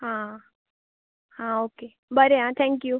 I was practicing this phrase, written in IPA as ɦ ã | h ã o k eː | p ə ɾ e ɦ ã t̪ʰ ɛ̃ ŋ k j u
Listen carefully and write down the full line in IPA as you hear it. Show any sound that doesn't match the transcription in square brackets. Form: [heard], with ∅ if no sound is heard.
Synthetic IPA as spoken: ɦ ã | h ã o k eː | [b] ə ɾ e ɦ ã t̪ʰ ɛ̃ ŋ k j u